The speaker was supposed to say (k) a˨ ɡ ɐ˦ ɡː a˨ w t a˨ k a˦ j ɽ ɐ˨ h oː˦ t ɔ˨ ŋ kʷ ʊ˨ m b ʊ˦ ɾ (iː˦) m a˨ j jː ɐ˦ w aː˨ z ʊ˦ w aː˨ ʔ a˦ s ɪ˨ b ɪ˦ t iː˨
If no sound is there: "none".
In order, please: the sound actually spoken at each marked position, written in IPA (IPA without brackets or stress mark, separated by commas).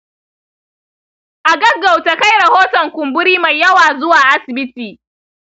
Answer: ʔ, iː˦